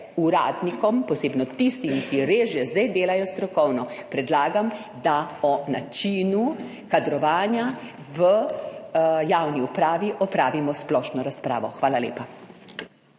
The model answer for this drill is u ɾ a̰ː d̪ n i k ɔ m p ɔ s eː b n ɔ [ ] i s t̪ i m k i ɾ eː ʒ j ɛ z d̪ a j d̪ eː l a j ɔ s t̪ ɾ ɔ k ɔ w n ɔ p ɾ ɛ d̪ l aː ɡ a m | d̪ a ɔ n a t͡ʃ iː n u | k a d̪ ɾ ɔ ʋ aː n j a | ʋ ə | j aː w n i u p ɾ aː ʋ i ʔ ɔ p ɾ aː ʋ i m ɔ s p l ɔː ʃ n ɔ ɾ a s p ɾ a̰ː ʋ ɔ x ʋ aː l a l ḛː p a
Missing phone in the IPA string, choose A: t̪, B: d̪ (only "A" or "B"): A